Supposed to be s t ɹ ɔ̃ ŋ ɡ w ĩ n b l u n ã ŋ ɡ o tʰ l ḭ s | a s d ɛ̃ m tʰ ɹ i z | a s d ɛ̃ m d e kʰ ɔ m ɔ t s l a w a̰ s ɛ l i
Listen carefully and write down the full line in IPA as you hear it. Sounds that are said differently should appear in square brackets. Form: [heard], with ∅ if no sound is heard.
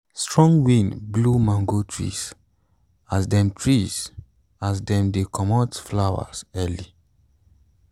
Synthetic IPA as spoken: s t ɹ ɔ̃ ŋ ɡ w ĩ n b l u [m] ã ŋ ɡ o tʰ [ɹ] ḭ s | a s d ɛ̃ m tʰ ɹ i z | a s d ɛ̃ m d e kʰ ɔ m ɔ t [f] l a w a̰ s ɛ l i